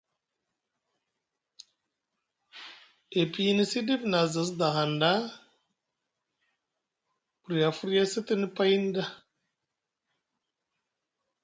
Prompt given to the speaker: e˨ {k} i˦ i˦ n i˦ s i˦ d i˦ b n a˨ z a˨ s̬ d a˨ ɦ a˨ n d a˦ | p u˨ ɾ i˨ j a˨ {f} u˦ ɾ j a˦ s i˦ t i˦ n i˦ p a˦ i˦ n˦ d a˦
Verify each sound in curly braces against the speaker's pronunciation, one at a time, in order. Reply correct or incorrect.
incorrect, correct

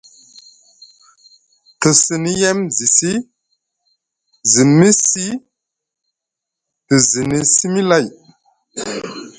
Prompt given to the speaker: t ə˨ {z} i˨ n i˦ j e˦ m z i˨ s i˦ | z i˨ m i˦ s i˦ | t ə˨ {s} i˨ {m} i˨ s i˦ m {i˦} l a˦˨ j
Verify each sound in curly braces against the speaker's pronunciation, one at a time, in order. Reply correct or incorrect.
incorrect, incorrect, incorrect, correct

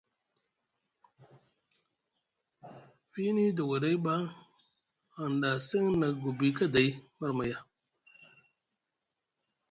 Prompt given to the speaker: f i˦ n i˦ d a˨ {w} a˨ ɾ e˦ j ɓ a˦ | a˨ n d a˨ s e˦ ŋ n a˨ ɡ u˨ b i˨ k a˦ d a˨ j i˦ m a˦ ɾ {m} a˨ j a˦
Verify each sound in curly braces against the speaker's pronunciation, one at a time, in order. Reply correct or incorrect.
correct, correct

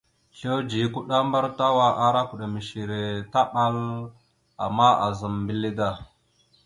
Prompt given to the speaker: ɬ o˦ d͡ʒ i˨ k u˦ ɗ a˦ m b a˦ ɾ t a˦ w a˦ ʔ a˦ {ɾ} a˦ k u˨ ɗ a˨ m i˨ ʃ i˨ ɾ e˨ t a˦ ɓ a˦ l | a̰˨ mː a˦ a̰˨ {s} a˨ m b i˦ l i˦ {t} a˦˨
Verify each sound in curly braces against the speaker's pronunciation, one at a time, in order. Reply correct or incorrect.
correct, incorrect, incorrect

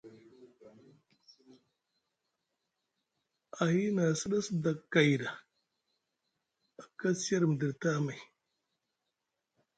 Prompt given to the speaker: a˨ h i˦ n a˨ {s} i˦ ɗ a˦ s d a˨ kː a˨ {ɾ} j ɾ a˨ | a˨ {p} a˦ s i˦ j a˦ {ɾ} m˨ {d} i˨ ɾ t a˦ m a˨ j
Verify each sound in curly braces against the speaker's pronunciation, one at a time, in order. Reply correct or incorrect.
correct, incorrect, incorrect, correct, correct

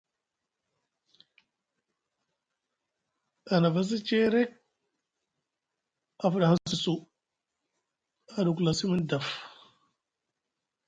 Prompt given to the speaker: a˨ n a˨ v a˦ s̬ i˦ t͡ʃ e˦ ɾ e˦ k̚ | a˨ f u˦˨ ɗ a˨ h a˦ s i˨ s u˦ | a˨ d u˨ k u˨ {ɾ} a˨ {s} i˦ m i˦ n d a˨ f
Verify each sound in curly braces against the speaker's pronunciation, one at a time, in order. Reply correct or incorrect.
incorrect, correct

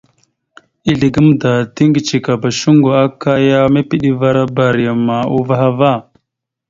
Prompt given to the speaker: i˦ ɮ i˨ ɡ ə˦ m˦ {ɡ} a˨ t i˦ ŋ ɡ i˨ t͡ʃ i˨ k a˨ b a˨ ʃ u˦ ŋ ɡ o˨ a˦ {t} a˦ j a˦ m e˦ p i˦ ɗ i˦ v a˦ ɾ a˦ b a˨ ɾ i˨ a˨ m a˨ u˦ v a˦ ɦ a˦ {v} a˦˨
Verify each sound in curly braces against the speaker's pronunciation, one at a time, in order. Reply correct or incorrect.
incorrect, incorrect, correct

